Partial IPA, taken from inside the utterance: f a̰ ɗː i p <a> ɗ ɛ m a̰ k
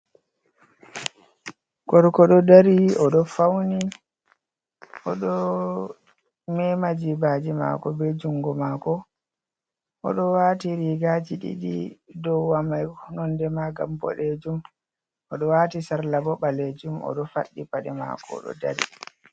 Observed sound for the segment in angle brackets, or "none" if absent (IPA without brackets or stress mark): a